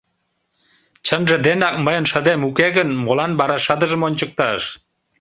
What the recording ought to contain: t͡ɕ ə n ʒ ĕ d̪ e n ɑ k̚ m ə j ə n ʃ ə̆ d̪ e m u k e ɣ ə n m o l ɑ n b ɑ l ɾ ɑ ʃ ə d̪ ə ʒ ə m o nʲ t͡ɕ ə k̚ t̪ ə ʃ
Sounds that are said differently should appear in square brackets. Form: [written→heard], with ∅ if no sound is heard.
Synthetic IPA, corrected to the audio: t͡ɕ ə n ʒ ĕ d̪ e n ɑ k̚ m ə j ə n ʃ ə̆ d̪ e m u k e ɣ ə n m o l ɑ n b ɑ [l→∅] ɾ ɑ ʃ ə d̪ ə ʒ ə m o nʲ t͡ɕ ə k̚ t̪ [ə→ɑ] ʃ